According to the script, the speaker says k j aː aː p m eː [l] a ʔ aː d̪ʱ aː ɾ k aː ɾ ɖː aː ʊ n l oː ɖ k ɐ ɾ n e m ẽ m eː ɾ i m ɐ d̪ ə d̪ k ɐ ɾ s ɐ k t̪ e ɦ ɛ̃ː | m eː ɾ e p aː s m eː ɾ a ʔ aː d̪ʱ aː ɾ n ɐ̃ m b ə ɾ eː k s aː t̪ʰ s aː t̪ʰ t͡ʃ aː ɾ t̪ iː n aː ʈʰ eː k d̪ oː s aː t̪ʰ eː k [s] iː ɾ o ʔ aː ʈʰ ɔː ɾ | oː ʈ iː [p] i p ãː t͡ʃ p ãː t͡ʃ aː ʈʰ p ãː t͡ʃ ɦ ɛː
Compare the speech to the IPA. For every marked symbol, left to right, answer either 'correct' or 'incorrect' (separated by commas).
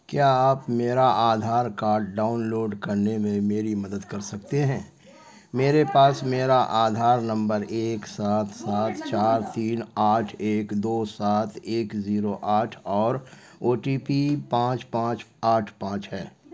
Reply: incorrect, incorrect, correct